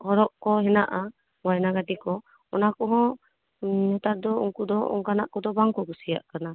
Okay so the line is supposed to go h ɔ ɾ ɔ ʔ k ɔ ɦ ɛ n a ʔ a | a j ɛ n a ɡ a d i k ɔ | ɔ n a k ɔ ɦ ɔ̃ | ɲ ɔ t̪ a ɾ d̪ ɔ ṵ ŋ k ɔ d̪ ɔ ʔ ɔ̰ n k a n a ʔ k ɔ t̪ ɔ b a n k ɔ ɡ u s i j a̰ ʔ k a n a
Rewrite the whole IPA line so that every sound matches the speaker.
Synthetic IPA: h ɔ ɾ ɔ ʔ k ɔ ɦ ɛ n a ʔ a | a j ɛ n a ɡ a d i k ɔ | ɔ n a k ɔ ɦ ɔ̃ | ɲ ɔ t̪ a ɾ d̪ ɔ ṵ ŋ k u d̪ ɔ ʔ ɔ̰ ŋ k a n a ʔ k ɔ d̪ ɔ b a ŋ k ɔ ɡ u s i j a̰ ʔ k a n a